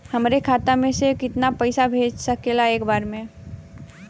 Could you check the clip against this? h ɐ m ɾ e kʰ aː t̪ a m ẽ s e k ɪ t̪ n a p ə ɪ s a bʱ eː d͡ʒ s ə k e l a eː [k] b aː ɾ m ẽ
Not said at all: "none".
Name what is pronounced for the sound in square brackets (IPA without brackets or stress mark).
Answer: k